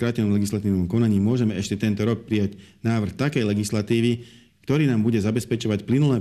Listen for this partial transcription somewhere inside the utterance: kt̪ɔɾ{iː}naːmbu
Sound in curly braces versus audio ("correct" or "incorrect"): correct